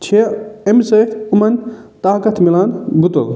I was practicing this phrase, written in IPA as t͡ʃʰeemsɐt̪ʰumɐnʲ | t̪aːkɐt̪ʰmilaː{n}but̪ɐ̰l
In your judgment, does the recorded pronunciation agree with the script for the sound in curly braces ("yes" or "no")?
yes